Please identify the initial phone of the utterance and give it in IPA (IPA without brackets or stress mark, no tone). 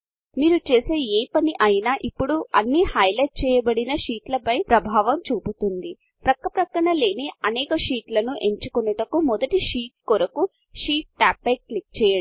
m